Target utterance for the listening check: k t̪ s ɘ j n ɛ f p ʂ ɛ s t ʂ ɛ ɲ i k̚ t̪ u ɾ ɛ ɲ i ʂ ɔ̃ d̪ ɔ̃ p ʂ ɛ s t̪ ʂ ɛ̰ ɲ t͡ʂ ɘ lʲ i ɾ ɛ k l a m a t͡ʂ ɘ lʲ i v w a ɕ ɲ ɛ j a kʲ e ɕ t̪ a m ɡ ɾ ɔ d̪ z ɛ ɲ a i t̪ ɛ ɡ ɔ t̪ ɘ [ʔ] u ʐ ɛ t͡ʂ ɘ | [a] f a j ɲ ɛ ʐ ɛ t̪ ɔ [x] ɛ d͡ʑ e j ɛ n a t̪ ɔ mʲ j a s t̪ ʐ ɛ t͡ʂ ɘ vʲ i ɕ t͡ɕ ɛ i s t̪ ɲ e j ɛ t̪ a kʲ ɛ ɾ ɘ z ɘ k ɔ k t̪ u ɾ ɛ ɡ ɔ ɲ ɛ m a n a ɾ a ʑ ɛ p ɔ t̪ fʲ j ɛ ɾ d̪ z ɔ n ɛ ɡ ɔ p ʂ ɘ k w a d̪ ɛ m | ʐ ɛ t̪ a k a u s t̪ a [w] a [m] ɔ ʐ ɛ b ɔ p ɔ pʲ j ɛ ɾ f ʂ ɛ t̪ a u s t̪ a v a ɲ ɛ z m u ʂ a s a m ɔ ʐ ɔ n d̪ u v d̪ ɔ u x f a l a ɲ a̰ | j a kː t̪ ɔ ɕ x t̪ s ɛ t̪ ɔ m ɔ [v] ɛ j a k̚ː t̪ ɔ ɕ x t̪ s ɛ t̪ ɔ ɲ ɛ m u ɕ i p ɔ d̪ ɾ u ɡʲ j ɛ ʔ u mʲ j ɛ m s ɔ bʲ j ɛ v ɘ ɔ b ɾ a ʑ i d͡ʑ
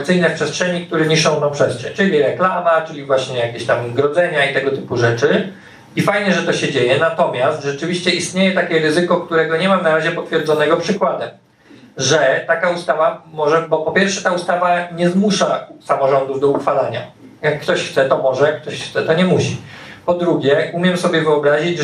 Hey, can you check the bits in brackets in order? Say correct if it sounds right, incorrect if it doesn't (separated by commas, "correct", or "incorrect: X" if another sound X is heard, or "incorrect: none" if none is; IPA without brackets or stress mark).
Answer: incorrect: p, incorrect: i, incorrect: ɕ, incorrect: v, correct, incorrect: ʐ